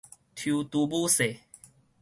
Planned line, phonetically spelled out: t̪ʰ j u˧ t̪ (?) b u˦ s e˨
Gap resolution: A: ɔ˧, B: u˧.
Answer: B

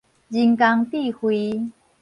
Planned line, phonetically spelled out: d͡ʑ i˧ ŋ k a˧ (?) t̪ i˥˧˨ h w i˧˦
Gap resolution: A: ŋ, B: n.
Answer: A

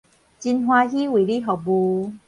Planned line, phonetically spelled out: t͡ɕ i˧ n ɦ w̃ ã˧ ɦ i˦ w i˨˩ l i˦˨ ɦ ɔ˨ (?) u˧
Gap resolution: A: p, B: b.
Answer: B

